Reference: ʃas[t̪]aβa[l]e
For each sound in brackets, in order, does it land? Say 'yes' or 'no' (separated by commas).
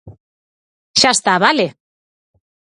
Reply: yes, yes